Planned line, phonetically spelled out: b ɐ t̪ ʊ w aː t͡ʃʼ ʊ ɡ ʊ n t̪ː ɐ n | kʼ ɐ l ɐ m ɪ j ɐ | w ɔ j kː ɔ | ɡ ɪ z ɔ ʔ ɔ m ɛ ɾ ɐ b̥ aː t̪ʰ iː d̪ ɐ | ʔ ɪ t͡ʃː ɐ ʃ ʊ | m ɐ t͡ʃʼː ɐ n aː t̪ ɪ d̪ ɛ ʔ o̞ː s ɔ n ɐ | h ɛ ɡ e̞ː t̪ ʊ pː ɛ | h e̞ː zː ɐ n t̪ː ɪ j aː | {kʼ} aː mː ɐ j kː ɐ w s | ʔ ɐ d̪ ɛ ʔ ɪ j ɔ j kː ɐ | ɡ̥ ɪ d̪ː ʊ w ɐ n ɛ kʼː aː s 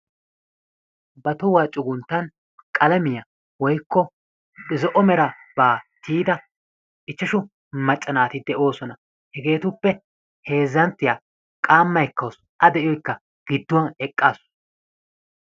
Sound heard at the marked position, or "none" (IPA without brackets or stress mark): kʼ